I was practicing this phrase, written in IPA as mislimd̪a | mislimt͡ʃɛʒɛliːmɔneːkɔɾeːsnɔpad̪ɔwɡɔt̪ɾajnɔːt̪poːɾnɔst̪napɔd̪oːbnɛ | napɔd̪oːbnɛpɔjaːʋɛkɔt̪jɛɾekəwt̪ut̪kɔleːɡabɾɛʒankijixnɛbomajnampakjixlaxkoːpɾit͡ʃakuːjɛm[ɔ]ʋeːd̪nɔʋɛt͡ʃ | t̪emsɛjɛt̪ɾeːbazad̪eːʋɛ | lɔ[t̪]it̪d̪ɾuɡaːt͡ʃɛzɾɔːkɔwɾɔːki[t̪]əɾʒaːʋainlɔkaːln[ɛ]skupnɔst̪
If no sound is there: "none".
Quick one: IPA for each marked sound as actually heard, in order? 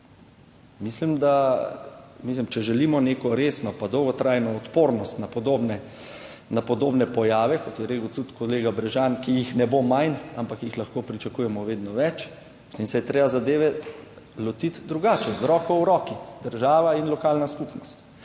ɔ, t̪, d̪, a

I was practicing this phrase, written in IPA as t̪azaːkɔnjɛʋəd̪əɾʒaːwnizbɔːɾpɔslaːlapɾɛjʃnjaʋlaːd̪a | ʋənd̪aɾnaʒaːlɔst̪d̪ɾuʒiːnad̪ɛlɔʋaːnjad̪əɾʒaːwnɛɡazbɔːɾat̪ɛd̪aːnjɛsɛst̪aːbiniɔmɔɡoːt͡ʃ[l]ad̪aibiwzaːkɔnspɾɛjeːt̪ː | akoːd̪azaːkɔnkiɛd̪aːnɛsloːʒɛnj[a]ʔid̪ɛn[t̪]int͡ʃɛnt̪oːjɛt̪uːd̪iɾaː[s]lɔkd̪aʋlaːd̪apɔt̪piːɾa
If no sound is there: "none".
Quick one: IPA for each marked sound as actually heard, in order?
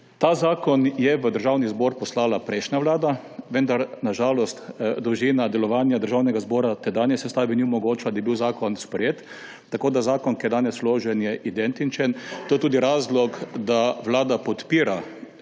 l, ɛ, t̪, z

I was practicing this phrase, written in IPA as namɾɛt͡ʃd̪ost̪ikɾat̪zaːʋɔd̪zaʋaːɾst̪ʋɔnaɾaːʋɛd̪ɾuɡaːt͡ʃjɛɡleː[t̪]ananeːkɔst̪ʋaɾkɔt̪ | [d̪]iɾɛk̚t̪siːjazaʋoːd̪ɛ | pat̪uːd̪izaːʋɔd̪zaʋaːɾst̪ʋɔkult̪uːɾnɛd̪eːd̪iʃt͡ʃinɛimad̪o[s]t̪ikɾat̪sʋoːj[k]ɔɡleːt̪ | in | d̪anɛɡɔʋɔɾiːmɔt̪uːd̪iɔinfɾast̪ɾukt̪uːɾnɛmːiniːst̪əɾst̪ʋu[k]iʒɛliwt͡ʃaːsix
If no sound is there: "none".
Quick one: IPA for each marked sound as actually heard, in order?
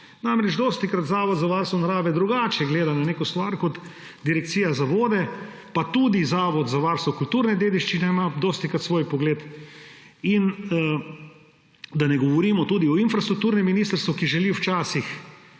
d̪, d̪, s, p, k

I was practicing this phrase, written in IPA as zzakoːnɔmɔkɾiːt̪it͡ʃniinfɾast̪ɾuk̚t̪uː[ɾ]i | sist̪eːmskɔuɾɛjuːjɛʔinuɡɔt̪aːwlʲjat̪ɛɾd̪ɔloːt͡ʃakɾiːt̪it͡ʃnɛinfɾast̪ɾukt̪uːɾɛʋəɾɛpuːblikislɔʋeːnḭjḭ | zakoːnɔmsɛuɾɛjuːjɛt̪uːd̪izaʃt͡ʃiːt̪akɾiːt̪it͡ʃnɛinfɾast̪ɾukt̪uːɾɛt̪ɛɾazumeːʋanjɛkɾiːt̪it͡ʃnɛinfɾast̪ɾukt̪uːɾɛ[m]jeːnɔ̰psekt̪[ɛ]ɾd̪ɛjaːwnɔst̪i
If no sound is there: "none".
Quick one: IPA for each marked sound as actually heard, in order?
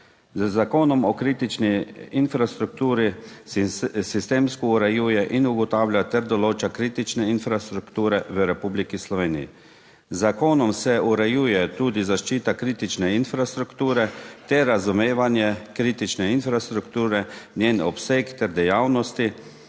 ɾ, n, ɛ

